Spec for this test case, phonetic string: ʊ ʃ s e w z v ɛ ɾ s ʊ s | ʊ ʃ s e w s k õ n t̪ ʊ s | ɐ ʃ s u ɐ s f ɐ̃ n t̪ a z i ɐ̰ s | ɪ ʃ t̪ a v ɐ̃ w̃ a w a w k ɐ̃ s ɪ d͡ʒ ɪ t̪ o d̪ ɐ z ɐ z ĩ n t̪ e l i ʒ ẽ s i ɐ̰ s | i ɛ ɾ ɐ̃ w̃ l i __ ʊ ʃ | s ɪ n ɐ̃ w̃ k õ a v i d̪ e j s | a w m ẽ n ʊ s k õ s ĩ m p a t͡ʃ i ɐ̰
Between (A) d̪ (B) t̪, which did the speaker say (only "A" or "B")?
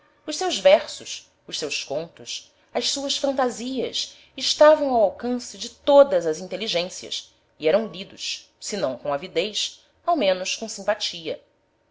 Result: A